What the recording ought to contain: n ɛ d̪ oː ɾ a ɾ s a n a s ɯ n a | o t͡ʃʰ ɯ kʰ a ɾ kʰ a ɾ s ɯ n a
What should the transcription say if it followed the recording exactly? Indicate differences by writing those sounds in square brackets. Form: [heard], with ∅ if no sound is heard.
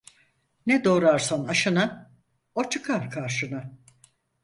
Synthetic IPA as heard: n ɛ d̪ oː ɾ a ɾ s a n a [ʃ] ɯ n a | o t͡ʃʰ ɯ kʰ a ɾ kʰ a ɾ [ʃ] ɯ n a